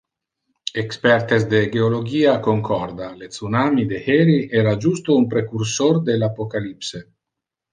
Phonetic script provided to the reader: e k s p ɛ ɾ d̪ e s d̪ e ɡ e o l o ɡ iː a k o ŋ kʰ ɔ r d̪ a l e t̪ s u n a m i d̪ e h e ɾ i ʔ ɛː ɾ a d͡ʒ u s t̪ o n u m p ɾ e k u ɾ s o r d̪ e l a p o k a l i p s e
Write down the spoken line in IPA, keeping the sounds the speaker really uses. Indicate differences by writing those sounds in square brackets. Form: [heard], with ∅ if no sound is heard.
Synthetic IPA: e k s p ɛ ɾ [t̪] e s d̪ e ɡ e o l o ɡ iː a k o ŋ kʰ ɔ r d̪ a l e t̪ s u n a m i d̪ e h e ɾ i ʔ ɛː ɾ a d͡ʒ u s t̪ o [∅] u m p ɾ e k u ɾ s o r d̪ e l a p o k a l i p s e

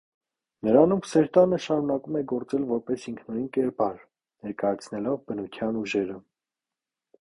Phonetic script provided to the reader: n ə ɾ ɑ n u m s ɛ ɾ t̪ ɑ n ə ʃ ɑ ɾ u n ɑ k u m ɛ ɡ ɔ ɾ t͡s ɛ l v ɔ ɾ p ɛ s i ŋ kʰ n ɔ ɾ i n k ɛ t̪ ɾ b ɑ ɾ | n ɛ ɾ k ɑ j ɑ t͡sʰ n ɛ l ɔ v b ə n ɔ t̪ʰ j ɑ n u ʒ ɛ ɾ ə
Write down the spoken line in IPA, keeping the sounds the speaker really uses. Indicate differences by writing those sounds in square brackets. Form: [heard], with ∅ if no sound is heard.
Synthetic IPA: n ə ɾ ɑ n u m s ɛ ɾ t̪ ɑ n ə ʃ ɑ ɾ u n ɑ k u m ɛ ɡ ɔ ɾ t͡s ɛ l v ɔ ɾ p ɛ s i ŋ kʰ n ɔ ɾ i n k ɛ [∅] ɾ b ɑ ɾ | n ɛ ɾ k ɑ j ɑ t͡sʰ n ɛ l ɔ v b ə n [u] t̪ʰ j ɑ n u ʒ ɛ ɾ ə

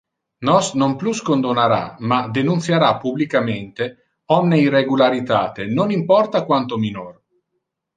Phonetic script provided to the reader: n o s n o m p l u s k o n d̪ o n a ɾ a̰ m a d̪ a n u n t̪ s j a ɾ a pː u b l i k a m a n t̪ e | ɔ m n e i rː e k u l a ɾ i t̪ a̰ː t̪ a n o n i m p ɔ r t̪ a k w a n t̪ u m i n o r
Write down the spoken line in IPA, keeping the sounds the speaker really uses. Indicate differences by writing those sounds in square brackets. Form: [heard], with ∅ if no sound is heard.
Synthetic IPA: n [ɔ] s n o m p l u s k o n d̪ o n a ɾ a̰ m a d̪ [e] n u n t̪ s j a ɾ a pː u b l i k a m [e] n t̪ e | ɔ m n e i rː e [ɡ] u l a ɾ i t̪ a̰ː t̪ [e] n o n i m p ɔ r t̪ a k w a n t̪ [o] m i n o r

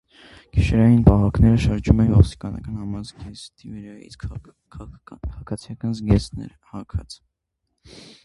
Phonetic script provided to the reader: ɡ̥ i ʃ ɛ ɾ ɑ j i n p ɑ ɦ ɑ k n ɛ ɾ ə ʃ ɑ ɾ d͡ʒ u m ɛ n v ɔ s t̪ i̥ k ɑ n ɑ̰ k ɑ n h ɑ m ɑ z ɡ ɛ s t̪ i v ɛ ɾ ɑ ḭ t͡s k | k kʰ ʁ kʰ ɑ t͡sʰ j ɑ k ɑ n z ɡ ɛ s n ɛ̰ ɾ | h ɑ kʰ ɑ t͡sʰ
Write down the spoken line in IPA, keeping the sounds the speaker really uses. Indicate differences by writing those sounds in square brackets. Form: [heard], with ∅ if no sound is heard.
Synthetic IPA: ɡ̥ i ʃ ɛ ɾ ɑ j i n p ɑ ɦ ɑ k n ɛ ɾ ə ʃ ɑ ɾ d͡ʒ u m ɛ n v ɔ s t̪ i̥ k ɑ n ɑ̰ k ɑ n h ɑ m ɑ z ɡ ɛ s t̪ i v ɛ ɾ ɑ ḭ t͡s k | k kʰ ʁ kʰ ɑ t͡sʰ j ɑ k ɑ n z ɡ ɛ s n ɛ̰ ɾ | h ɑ kʰ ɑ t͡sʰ

